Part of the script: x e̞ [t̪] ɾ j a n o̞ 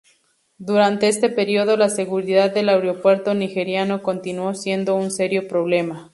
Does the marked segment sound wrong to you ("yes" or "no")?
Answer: yes